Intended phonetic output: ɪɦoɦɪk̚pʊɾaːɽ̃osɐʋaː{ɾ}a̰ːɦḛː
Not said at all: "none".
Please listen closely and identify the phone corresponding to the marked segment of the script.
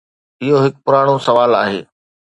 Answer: l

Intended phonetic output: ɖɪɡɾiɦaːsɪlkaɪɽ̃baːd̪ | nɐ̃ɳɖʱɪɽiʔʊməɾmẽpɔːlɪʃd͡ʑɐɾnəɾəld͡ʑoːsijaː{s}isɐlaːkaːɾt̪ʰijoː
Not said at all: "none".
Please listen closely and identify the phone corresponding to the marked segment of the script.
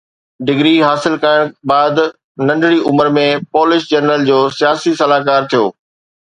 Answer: s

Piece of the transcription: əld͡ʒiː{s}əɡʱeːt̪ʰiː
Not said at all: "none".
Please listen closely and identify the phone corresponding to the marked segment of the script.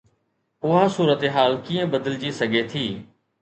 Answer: s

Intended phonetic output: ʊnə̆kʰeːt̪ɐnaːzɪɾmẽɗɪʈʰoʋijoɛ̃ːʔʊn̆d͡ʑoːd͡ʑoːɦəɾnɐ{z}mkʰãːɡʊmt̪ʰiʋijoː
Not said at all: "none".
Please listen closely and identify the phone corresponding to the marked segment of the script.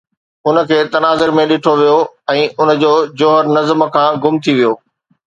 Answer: z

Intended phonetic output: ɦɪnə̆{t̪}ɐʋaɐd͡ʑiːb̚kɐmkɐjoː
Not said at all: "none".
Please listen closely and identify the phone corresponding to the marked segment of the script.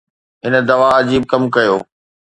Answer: d̪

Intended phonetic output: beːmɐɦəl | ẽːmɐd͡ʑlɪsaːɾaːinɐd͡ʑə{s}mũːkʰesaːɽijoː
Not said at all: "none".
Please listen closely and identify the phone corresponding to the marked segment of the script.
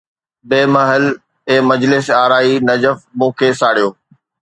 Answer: f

